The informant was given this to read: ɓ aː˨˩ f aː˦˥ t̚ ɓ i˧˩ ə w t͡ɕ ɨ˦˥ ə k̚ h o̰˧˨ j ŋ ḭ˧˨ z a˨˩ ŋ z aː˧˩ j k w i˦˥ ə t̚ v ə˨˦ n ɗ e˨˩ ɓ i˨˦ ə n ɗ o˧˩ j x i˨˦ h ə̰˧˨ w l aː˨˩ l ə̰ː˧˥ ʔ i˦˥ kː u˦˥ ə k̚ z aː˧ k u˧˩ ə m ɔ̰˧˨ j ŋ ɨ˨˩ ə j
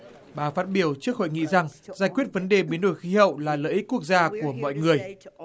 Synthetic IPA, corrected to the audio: ɓ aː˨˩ f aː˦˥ t̚ ɓ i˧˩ ə w t͡ɕ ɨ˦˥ ə k̚ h o̰˧˨ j ŋ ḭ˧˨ z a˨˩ ŋ z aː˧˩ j k w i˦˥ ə t̚ v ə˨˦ n ɗ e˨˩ ɓ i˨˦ ə n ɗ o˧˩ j x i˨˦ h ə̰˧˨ w l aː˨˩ l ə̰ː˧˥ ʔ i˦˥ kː u˦˥ ə k̚ z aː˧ k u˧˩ ə m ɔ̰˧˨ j ŋ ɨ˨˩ ə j